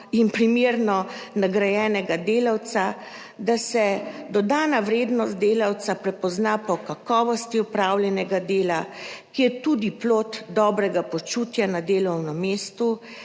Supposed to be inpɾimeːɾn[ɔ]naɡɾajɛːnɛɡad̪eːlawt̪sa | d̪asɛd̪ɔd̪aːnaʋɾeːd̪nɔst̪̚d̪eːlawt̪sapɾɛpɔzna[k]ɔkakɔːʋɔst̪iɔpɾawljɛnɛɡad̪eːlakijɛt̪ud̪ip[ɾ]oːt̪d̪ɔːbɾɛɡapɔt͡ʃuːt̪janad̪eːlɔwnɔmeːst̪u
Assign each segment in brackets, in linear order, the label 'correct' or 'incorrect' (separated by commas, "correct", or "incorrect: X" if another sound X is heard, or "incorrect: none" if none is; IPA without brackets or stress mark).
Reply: correct, incorrect: p, incorrect: l